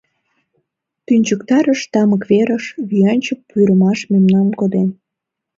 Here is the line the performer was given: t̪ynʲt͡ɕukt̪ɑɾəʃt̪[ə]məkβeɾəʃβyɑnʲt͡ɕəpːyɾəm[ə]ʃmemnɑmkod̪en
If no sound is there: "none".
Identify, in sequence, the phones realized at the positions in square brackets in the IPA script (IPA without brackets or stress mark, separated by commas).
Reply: ɑ, ɑ